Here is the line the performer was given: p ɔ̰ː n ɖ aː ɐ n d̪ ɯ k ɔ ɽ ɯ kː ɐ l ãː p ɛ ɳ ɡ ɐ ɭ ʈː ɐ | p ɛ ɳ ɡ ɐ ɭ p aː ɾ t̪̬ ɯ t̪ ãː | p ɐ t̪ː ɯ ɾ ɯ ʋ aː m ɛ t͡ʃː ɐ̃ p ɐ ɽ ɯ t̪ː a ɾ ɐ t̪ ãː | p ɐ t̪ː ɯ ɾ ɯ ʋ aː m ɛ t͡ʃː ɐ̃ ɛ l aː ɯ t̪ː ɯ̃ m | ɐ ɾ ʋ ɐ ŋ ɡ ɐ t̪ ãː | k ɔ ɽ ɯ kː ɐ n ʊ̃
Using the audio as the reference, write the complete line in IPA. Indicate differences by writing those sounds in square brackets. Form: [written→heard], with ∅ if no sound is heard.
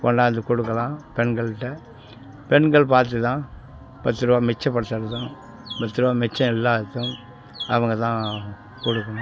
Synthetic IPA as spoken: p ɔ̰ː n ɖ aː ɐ n d̪ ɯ k ɔ ɽ ɯ kː ɐ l ãː p ɛ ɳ ɡ ɐ ɭ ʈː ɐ | p ɛ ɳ ɡ ɐ ɭ p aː ɾ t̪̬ ɯ t̪ ãː | p ɐ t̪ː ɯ ɾ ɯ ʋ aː m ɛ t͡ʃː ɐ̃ p ɐ ɽ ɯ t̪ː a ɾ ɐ t̪ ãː | p ɐ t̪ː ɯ ɾ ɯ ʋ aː m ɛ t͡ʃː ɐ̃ ɛ [l→lː] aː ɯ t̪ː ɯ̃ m | ɐ [ɾ→∅] ʋ ɐ ŋ ɡ ɐ t̪ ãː | k ɔ ɽ ɯ kː ɐ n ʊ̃